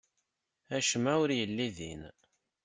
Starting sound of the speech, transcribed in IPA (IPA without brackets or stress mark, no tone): æ